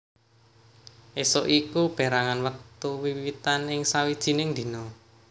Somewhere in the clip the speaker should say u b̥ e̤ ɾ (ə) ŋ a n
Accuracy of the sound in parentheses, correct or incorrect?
incorrect